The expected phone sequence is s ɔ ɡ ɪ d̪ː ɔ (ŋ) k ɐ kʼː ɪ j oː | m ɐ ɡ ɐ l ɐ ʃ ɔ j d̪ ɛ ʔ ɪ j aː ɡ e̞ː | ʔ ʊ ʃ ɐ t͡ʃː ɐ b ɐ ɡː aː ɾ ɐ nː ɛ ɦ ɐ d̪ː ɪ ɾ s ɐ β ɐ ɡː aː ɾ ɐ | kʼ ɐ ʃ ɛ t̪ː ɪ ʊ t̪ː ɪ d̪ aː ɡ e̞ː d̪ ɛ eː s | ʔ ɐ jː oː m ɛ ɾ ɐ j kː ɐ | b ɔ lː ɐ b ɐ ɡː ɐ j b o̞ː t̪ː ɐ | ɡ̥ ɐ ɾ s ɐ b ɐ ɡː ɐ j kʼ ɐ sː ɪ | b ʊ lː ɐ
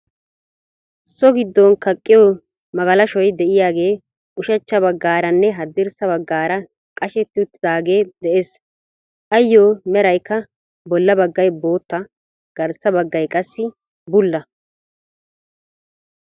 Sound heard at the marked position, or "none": n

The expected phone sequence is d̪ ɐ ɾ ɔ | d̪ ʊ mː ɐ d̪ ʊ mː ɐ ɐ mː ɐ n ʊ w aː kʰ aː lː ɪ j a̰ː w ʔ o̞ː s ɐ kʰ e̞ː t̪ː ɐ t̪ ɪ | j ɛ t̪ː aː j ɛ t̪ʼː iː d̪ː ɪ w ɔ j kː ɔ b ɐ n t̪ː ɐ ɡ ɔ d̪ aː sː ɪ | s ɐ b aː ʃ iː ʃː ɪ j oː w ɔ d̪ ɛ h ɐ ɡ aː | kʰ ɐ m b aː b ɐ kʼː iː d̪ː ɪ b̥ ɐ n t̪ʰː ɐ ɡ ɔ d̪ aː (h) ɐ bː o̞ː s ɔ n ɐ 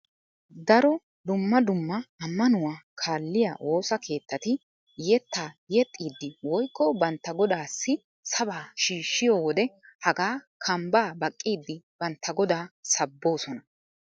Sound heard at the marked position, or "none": s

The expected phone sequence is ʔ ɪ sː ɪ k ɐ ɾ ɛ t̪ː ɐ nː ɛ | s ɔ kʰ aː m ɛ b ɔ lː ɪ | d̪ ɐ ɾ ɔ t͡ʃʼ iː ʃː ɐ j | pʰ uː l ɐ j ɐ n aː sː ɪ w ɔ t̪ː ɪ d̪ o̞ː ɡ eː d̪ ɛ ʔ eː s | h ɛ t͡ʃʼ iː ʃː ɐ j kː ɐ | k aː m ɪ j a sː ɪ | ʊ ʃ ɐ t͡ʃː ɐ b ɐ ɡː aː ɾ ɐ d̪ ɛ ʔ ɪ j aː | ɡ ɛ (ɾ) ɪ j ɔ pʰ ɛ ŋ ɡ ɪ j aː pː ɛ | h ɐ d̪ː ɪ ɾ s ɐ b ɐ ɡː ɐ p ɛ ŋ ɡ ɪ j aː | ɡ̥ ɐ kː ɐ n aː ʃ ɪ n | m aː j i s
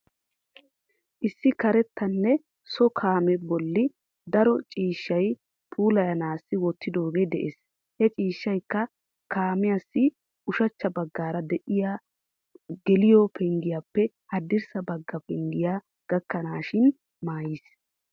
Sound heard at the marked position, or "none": l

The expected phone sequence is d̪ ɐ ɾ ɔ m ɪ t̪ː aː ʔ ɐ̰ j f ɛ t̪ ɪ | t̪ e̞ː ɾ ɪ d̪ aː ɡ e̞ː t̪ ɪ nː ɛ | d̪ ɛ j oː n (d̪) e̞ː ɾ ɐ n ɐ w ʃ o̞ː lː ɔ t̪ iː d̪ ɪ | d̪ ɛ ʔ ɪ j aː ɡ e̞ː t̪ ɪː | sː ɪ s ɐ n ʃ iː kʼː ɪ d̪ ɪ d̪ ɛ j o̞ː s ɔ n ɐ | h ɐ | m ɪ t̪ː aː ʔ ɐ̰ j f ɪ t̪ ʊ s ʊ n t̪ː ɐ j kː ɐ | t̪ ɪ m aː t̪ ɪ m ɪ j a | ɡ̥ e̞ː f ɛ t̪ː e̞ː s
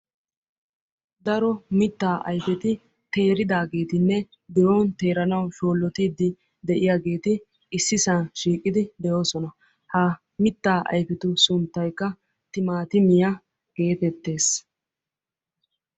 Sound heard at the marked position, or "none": t̪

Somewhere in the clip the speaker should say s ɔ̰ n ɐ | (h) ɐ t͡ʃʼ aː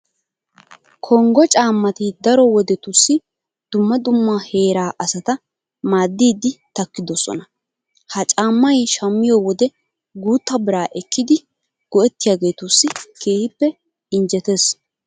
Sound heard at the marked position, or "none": h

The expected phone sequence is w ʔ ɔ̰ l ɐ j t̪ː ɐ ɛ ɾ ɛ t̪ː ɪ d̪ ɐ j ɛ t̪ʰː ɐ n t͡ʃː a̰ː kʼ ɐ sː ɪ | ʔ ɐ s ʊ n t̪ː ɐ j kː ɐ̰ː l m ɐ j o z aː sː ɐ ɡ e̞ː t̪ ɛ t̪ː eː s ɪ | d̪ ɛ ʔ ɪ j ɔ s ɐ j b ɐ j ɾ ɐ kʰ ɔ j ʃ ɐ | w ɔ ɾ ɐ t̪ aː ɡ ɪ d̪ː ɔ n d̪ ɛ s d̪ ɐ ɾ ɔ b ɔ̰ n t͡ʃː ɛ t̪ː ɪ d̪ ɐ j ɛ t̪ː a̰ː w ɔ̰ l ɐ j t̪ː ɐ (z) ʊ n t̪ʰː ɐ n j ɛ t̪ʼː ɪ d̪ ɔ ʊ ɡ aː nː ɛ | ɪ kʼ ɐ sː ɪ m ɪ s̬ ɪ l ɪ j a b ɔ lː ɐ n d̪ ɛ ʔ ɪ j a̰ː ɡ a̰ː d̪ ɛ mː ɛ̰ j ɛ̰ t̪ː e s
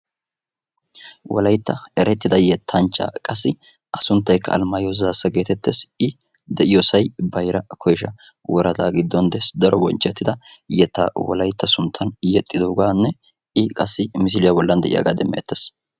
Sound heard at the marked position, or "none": s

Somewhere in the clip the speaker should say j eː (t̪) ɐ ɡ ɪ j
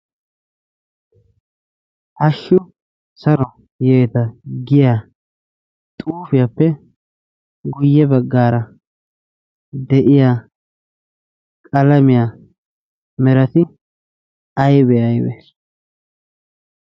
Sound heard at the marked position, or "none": t̪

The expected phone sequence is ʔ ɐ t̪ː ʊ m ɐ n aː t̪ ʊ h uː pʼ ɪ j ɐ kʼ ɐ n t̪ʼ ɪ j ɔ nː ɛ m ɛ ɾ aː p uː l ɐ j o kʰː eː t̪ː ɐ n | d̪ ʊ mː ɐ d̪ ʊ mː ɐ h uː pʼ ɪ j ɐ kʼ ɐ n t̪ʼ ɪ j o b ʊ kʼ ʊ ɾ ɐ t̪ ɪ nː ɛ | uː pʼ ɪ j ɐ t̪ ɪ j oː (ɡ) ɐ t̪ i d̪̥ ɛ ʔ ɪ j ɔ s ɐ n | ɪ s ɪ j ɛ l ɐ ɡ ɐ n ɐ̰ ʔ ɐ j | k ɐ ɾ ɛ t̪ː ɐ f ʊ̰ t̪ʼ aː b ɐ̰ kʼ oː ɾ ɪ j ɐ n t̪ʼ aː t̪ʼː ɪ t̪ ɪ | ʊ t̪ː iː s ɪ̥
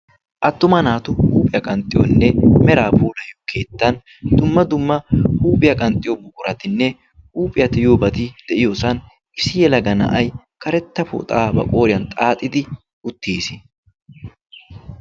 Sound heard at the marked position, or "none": b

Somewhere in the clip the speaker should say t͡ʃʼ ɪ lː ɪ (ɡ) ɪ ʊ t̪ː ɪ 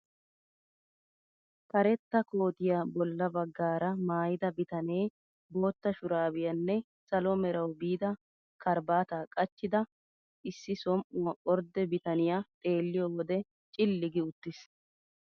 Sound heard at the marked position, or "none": ɡ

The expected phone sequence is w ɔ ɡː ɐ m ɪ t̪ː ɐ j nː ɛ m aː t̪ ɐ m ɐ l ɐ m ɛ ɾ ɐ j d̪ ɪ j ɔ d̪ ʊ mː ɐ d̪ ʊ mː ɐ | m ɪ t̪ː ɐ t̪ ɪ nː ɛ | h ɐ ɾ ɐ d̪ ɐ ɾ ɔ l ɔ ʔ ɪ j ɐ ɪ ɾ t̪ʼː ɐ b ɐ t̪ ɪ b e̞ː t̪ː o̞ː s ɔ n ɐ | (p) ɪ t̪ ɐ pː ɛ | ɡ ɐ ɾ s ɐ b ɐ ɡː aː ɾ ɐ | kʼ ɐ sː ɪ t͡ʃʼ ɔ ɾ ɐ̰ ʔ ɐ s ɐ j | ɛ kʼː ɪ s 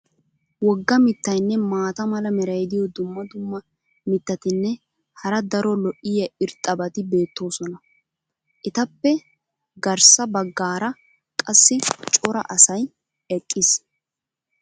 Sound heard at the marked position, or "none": ʔ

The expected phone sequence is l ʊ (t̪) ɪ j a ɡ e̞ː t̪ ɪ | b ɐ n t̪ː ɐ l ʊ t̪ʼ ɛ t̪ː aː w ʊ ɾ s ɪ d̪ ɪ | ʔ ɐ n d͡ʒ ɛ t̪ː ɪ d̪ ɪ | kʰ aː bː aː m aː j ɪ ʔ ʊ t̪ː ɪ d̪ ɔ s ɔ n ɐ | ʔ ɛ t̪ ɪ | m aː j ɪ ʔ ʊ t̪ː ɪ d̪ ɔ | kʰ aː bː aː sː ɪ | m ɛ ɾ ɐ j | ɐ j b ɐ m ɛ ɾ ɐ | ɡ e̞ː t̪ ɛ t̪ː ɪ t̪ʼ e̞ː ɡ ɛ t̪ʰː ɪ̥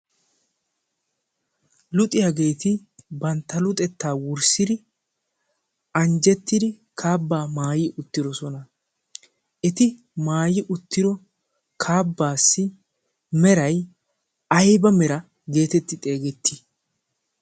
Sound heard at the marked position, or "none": t̪ʼ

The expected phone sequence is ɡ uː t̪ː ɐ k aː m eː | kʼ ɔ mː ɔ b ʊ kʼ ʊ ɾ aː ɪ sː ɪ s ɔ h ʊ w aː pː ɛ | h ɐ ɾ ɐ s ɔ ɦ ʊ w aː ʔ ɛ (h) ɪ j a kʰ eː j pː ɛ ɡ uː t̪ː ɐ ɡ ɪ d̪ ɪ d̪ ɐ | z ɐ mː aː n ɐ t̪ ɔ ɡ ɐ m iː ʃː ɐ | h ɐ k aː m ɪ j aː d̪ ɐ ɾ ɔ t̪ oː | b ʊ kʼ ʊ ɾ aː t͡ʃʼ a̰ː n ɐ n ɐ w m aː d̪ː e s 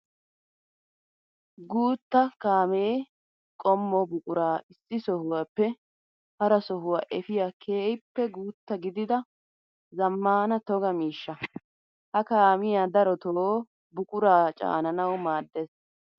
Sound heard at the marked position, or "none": f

